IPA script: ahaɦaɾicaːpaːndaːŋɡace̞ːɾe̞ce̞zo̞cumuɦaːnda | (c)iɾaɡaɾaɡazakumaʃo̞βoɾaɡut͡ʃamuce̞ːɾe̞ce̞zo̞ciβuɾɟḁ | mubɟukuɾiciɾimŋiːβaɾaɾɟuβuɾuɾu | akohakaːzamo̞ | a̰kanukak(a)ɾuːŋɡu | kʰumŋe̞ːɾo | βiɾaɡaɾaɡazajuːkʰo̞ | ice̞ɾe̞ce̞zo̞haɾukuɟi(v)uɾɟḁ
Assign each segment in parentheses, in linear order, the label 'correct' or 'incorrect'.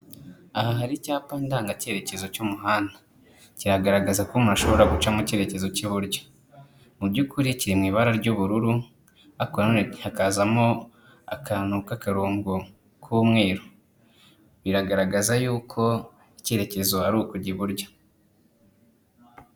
correct, correct, incorrect: β

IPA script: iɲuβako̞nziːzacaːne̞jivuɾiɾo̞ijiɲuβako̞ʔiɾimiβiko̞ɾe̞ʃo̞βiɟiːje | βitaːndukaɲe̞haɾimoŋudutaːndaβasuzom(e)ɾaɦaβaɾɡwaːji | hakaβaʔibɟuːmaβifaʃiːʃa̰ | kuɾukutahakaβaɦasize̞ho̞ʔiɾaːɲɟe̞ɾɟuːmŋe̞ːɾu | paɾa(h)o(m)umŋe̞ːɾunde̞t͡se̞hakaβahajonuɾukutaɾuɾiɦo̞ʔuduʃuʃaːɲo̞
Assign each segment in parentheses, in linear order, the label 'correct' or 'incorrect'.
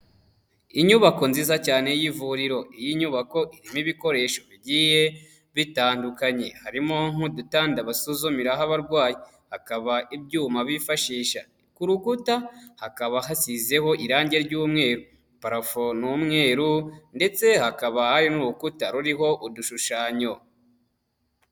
incorrect: i, incorrect: f, incorrect: n

